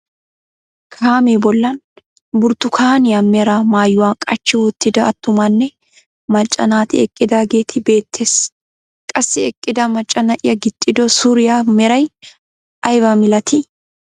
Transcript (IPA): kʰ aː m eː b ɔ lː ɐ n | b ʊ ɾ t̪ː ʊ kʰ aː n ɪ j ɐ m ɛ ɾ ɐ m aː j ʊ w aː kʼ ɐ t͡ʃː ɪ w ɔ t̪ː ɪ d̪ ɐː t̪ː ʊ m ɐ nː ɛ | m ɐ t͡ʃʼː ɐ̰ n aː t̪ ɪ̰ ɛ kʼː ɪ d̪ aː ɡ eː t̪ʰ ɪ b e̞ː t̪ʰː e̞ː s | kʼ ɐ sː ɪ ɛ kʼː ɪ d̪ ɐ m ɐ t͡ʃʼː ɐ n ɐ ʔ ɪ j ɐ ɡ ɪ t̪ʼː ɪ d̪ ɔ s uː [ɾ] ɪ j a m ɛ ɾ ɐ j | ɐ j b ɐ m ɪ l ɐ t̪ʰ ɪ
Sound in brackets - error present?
no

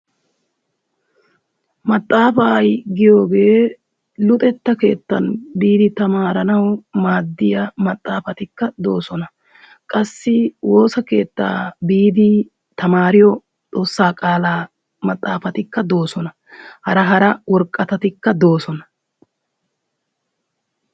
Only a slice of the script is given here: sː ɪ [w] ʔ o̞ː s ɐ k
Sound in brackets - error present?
no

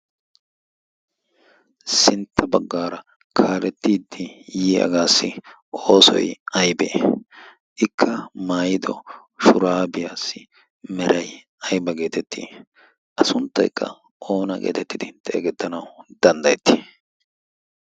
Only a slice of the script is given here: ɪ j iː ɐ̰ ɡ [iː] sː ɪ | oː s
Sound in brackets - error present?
yes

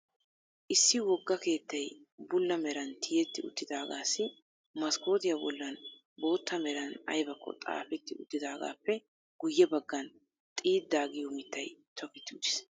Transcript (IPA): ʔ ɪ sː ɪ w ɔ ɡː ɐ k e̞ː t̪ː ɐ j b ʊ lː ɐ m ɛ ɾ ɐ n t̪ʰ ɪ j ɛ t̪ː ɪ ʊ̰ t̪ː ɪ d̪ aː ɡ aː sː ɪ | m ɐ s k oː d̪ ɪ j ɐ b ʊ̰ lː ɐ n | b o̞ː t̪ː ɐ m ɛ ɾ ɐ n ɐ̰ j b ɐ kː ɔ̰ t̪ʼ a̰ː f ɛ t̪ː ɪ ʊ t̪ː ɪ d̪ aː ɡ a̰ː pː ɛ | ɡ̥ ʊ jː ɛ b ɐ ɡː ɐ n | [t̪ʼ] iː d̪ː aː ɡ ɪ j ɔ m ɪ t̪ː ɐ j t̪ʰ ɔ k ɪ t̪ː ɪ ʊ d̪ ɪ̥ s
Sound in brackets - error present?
no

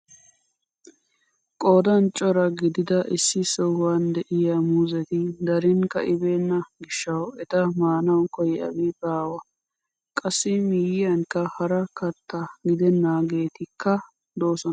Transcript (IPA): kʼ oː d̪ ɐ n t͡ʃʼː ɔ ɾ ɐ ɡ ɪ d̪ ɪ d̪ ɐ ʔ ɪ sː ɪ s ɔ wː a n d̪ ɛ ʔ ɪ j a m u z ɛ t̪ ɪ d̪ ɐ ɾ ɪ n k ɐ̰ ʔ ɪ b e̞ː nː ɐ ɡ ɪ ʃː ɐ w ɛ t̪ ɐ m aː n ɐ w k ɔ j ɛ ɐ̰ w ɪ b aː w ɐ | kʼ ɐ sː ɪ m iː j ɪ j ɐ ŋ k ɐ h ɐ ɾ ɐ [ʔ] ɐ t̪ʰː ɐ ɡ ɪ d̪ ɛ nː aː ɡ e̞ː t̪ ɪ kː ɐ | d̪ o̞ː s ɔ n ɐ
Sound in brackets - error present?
yes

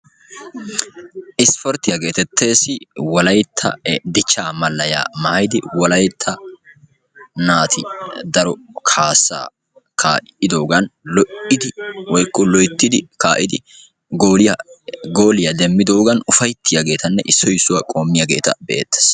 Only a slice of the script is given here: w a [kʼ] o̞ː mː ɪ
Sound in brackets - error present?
no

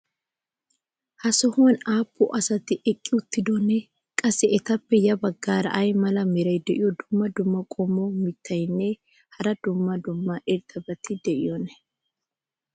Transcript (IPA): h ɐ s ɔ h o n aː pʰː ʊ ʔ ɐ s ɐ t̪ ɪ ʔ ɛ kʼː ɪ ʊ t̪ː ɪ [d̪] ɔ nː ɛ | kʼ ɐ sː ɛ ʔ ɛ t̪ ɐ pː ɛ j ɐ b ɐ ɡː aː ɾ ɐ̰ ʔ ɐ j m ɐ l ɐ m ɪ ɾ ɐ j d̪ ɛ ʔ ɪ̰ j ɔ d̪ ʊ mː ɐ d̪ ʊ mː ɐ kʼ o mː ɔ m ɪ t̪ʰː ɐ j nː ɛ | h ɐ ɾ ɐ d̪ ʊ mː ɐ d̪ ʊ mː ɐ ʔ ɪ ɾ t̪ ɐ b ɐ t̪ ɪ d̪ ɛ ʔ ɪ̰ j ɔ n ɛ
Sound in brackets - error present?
no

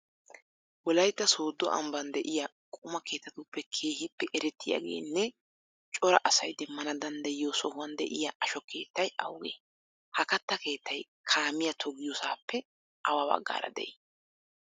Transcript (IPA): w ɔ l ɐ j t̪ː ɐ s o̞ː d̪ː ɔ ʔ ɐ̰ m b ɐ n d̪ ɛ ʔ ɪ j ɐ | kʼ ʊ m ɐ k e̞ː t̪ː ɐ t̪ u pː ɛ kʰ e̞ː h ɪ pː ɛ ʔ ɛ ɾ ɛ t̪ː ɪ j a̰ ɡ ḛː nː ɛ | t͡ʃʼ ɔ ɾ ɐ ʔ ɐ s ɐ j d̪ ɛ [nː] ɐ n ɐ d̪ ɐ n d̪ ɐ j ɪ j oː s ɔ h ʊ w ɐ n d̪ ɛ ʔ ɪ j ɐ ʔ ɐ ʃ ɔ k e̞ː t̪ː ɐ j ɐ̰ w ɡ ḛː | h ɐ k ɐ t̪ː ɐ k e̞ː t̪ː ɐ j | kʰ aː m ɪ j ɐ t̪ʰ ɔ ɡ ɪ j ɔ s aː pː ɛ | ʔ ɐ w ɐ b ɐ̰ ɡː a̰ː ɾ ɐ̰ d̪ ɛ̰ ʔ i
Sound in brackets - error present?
yes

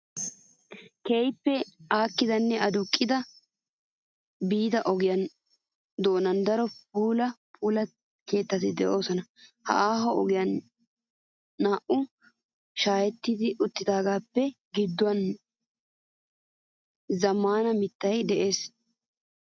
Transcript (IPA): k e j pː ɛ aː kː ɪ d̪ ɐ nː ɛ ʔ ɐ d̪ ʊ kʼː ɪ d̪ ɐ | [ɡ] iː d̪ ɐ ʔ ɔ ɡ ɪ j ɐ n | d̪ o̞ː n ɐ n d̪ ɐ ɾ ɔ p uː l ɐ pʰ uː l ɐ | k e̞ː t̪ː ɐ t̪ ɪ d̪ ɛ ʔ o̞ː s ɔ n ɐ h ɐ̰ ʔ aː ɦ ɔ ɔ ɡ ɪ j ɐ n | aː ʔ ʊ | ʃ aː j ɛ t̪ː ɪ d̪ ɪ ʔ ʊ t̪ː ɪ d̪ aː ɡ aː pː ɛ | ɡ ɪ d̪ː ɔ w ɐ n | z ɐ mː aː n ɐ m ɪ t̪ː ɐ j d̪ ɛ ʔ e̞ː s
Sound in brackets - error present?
yes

